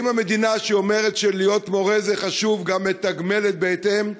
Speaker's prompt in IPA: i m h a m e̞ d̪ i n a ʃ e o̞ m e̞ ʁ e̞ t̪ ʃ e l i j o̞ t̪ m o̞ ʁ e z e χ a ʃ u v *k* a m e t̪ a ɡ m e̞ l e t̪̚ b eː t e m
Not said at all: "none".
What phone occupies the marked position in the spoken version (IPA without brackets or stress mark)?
ɡ